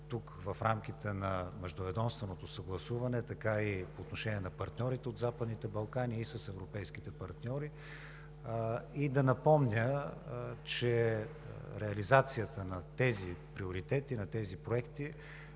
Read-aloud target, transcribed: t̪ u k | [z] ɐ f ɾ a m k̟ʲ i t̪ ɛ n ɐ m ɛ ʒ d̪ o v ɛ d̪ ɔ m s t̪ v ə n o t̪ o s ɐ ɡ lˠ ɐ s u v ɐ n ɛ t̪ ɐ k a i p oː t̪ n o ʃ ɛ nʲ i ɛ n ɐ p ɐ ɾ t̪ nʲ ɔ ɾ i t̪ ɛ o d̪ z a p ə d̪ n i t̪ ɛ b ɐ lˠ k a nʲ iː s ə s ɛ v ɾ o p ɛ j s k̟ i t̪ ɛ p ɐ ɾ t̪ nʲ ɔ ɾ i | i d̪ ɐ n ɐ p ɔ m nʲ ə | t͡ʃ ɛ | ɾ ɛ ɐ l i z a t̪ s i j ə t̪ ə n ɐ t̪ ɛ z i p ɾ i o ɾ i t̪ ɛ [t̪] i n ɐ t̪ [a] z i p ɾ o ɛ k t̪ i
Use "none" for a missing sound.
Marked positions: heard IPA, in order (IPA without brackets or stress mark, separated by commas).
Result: v, t̪, ɛ